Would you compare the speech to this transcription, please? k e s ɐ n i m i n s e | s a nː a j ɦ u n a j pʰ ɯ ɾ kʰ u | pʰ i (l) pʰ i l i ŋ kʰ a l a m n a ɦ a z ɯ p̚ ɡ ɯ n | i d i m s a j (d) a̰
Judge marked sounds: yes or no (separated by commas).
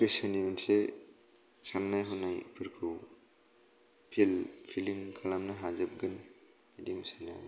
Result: yes, no